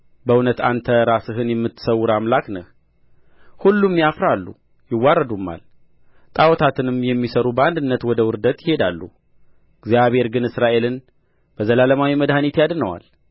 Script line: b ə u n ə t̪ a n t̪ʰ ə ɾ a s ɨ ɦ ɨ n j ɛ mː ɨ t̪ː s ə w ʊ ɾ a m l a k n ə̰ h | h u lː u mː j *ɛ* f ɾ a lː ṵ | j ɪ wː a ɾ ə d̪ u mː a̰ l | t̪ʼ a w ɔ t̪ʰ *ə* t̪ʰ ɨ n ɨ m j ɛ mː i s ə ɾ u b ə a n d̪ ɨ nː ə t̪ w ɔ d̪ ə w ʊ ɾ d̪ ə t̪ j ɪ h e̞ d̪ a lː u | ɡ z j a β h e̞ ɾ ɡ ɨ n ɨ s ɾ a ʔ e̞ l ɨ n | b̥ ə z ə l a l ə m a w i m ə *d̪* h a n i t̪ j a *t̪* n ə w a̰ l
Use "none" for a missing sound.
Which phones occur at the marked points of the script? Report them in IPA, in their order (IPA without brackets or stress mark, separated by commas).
a, a, d̪, d̪